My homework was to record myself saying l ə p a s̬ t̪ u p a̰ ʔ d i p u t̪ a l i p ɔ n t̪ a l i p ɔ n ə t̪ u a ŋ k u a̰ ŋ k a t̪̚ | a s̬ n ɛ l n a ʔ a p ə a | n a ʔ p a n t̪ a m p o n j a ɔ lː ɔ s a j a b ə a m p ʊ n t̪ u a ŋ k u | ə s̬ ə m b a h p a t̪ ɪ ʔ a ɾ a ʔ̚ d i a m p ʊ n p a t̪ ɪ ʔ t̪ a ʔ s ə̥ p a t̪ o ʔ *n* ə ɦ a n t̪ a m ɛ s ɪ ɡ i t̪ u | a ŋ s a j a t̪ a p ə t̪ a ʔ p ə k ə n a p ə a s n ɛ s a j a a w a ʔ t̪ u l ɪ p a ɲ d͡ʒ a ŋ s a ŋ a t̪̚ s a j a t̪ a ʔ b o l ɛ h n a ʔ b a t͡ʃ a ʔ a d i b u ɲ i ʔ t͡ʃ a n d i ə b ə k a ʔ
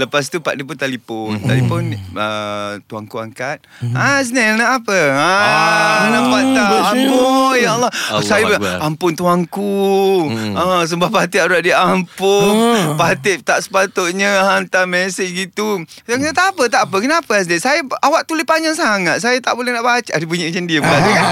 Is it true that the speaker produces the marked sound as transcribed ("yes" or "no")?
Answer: no